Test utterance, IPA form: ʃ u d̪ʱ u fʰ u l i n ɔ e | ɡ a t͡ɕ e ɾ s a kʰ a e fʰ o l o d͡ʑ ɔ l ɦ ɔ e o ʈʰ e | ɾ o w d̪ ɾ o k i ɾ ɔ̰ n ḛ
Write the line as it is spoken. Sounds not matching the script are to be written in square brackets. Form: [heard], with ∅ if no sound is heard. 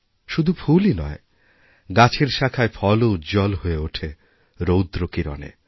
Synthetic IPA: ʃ u d̪ʱ u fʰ u l i n ɔ e | ɡ a [t͡ɕʰ] e ɾ [ʃ] a kʰ a e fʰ [ɔ] l o d͡ʑ ɔ l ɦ [o] e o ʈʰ e | ɾ o w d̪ ɾ o k i ɾ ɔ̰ n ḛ